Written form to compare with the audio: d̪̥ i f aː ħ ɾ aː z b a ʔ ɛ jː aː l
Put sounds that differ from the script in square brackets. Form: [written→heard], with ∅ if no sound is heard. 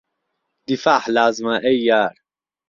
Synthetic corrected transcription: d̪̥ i f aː ħ [ɾ→l] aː z [b→m] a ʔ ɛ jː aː [l→ɾ]